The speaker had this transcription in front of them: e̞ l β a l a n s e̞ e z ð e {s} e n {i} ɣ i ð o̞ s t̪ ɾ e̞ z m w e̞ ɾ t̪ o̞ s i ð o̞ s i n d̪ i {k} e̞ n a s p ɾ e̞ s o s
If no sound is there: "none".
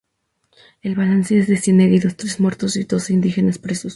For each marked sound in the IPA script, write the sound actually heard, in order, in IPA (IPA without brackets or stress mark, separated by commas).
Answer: s, e, x